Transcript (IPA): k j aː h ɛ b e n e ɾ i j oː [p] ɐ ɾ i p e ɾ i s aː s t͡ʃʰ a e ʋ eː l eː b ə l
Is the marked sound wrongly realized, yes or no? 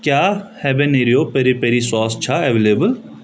no